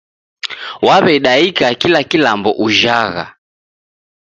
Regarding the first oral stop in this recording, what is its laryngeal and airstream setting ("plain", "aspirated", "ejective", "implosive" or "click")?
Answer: implosive